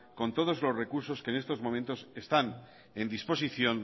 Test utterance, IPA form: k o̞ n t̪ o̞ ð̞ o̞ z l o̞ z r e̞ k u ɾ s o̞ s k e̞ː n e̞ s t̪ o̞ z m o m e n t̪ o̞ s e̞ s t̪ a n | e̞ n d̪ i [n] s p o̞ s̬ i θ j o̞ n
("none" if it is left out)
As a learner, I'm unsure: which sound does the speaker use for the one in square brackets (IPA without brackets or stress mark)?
none